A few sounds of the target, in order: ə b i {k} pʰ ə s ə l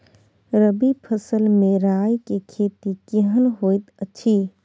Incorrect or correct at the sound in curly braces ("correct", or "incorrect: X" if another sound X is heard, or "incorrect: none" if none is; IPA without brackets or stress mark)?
incorrect: none